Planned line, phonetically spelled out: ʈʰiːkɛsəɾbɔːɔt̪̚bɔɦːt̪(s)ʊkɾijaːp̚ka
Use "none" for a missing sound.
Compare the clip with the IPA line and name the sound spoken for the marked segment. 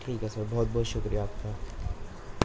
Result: ʃ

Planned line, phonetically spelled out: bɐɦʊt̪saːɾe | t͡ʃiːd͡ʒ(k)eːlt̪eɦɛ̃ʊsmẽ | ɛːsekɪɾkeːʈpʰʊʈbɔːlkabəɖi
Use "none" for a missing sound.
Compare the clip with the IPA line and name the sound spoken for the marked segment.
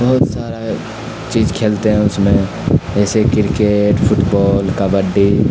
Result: kʰ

